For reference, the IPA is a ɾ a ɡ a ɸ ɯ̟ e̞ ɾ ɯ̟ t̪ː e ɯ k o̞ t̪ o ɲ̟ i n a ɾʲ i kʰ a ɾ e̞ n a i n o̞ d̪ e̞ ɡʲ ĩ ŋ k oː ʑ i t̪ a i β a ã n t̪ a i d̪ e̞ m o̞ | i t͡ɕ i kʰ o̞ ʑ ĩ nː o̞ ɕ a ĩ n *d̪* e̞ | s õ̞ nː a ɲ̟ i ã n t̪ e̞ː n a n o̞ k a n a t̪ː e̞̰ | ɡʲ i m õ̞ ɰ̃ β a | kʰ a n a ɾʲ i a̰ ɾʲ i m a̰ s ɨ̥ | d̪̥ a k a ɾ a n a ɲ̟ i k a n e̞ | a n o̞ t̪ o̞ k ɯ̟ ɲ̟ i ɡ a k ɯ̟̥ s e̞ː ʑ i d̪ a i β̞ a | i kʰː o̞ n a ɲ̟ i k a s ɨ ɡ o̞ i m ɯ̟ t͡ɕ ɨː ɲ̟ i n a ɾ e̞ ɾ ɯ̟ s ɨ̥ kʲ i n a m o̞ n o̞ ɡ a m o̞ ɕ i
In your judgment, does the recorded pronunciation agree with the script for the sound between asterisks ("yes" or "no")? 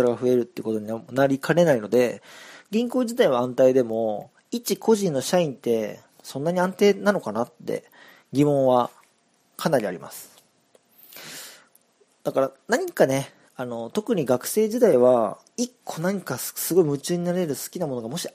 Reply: no